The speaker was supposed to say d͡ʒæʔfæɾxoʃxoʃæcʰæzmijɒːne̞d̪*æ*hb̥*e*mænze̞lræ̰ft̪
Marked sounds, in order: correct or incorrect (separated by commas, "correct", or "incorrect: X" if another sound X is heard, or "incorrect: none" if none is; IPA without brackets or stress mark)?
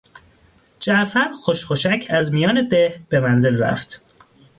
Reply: incorrect: e, correct